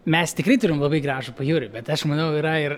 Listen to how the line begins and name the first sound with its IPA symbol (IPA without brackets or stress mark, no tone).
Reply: mʲ